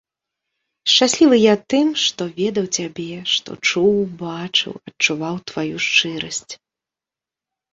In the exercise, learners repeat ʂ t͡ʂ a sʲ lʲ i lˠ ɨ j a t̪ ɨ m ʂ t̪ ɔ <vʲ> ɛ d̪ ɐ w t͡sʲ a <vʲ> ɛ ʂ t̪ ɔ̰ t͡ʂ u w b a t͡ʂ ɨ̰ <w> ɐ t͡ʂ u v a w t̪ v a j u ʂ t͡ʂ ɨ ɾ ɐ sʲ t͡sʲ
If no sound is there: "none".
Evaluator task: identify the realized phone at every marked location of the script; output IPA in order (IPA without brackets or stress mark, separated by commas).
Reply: vʲ, bʲ, w